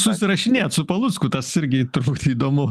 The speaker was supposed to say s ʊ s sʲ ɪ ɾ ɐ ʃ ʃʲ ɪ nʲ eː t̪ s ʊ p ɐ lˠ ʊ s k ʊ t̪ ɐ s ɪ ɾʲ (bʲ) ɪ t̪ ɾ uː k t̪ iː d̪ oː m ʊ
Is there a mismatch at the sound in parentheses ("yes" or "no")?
yes